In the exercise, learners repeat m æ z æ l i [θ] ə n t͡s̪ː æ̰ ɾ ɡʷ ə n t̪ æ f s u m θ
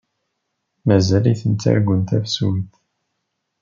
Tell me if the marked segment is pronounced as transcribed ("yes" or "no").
yes